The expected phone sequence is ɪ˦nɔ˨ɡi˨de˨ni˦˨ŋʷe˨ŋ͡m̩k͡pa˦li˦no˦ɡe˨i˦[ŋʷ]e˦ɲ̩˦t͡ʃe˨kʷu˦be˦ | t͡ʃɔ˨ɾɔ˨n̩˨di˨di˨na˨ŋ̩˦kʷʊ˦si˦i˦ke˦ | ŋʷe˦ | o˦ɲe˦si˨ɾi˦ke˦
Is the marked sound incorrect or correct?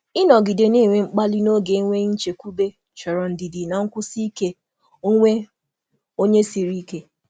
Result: correct